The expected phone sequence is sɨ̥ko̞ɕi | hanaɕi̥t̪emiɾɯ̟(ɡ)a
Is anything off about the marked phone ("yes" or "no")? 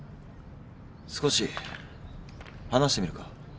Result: yes